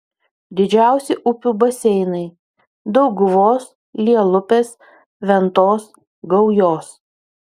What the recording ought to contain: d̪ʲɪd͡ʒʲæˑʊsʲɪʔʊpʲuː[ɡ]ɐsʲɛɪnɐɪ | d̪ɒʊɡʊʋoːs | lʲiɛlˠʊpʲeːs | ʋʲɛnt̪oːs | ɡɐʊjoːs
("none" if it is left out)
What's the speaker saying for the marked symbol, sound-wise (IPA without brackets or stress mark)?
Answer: b